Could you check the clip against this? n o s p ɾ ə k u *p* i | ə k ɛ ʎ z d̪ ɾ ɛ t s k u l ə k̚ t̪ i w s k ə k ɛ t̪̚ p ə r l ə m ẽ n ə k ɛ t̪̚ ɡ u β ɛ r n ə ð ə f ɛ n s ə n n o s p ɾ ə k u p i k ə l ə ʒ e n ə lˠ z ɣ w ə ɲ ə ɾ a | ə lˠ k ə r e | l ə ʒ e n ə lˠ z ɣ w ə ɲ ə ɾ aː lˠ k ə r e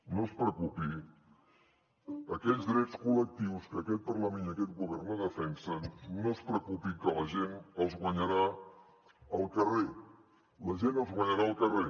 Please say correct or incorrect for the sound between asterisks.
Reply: correct